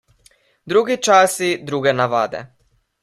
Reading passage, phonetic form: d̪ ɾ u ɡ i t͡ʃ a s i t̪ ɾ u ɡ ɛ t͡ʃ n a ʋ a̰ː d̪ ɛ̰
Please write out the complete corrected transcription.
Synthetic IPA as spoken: d̪ ɾ u ɡ i t͡ʃ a s i d̪ ɾ u ɡ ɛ n a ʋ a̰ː d̪ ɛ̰